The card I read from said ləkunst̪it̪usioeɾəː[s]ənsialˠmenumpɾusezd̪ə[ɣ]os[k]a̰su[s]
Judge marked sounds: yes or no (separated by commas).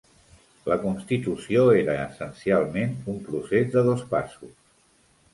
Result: yes, no, no, yes